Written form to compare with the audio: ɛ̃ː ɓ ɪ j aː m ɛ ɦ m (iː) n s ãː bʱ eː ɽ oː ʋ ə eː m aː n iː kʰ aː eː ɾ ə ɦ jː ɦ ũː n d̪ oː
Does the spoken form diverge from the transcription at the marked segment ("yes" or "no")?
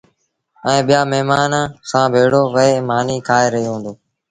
yes